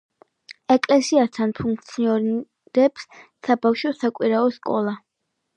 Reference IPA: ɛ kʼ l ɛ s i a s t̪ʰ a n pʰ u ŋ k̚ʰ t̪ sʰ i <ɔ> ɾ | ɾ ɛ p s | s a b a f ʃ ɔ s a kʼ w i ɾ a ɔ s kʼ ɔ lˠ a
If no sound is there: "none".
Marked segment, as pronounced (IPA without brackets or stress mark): ɔ